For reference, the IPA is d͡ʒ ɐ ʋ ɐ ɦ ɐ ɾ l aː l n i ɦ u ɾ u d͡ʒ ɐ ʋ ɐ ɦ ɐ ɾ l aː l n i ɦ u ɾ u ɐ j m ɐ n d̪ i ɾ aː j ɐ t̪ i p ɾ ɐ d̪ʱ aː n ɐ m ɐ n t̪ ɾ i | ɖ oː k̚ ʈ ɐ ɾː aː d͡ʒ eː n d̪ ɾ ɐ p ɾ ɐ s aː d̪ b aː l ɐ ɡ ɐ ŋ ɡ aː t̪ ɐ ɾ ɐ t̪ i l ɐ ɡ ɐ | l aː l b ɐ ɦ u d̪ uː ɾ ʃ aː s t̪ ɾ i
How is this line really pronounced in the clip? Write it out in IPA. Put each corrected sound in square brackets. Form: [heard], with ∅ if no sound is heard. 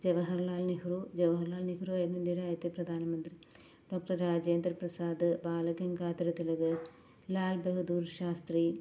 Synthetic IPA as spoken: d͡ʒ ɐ ʋ ɐ ɦ ɐ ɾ l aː l n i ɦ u ɾ u d͡ʒ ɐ ʋ ɐ ɦ ɐ ɾ l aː l n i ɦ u ɾ u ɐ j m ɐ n d̪ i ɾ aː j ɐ t̪ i p ɾ ɐ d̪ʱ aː n ɐ m ɐ n t̪ ɾ i | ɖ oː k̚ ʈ ɐ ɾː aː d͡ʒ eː n d̪ ɾ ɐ p ɾ ɐ s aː d̪ b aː l ɐ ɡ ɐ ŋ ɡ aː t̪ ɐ ɾ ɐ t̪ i l ɐ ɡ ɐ | l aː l b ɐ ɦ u d̪ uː ɾ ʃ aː s t̪ ɾ i